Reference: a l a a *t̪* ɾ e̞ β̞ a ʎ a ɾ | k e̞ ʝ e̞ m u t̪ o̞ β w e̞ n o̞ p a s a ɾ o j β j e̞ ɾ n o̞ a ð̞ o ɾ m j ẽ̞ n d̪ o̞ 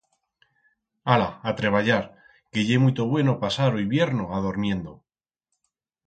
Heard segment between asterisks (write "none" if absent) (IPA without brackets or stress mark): t̪